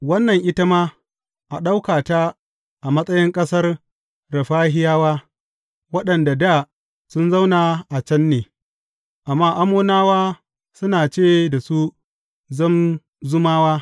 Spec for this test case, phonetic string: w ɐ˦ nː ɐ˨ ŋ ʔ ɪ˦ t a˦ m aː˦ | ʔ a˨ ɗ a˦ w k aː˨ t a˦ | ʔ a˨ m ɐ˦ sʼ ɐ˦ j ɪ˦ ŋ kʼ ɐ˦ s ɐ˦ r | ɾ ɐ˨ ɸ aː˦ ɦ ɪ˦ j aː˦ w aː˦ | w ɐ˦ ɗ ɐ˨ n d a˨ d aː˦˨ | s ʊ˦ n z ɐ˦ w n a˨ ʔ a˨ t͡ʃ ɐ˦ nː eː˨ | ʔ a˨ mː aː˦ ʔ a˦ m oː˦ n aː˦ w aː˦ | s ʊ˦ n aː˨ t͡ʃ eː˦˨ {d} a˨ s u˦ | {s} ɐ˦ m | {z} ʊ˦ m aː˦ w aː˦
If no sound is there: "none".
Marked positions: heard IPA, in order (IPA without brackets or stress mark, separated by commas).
d, z, z